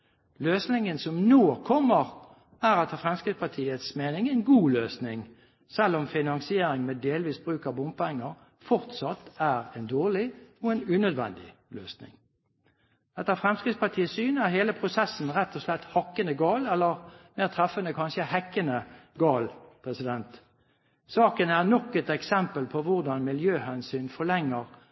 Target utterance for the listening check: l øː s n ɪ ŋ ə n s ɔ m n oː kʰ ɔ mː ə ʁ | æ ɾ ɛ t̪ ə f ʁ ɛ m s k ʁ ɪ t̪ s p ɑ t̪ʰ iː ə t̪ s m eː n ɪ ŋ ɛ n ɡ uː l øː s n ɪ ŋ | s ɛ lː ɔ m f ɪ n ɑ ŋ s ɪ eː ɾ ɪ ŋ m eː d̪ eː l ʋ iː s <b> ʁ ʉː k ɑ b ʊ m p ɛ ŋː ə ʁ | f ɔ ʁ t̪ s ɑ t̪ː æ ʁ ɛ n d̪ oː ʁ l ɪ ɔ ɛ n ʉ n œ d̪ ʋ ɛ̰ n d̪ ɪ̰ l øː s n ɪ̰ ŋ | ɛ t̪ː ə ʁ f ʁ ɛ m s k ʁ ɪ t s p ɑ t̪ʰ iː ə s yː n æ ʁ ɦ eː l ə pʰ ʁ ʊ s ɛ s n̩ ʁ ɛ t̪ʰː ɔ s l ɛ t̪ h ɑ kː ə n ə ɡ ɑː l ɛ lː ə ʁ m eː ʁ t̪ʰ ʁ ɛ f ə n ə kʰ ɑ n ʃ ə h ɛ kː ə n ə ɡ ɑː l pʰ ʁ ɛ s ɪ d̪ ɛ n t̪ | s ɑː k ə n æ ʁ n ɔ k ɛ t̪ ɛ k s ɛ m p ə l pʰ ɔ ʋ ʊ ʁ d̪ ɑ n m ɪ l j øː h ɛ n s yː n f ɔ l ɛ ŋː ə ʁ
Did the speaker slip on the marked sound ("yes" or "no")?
no